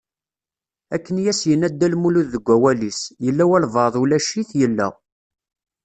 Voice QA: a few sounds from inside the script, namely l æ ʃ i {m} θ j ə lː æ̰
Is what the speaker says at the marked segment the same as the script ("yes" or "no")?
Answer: no